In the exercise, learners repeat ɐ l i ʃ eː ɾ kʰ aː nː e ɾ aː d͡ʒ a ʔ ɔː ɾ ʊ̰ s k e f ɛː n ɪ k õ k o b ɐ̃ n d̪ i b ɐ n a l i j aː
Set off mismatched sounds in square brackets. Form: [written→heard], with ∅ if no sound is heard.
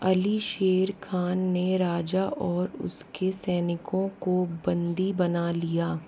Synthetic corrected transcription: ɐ l i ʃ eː ɾ kʰ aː nː e ɾ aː d͡ʒ a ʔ ɔː ɾ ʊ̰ s k e [f→s] ɛː n ɪ k õ k o b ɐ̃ n d̪ i b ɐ n a l i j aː